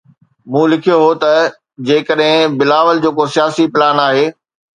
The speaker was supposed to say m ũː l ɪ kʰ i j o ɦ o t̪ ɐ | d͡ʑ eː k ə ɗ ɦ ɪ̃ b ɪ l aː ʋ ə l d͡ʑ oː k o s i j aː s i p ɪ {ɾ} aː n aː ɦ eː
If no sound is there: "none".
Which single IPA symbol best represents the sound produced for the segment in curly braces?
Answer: l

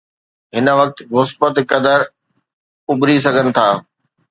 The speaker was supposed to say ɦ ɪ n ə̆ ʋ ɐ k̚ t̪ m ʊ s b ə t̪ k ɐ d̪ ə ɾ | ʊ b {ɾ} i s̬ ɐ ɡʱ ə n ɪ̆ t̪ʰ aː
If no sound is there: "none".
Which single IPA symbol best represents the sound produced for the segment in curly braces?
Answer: ɾ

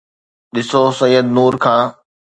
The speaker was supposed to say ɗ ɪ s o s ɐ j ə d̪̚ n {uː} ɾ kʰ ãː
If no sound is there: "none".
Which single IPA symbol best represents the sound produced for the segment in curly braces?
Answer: uː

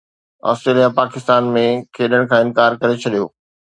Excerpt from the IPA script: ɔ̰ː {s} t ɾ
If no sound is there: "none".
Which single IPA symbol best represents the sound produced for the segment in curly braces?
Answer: s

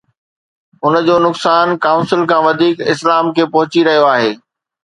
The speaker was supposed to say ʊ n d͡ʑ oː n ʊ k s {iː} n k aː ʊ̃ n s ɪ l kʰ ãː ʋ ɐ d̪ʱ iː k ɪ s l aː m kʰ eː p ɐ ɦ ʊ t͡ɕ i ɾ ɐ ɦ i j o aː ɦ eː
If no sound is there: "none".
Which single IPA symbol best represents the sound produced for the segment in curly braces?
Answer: aː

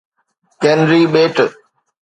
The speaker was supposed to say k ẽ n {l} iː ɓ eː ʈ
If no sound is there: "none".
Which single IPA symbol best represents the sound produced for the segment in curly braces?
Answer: ɾ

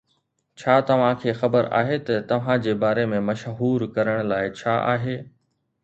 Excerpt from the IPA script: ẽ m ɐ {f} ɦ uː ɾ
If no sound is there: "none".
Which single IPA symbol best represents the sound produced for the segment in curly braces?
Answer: ʃ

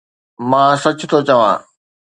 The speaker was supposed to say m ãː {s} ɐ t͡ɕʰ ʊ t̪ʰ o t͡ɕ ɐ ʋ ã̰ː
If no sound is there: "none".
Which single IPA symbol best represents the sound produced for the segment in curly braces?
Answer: s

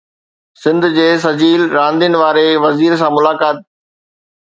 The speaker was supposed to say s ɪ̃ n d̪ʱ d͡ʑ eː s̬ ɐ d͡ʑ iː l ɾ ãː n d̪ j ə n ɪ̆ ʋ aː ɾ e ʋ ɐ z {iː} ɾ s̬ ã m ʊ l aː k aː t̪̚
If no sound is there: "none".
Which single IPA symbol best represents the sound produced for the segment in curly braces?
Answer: iː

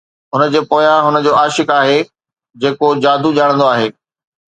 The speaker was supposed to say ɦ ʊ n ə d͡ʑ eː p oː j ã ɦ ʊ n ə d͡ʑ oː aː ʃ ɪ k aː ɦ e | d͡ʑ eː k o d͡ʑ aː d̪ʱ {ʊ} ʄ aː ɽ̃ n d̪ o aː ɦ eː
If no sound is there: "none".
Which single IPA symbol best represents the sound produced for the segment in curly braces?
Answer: u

